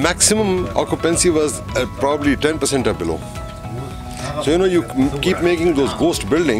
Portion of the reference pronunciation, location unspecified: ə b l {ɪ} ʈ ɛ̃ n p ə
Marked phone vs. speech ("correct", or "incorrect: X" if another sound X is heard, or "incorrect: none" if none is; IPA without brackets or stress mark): incorrect: i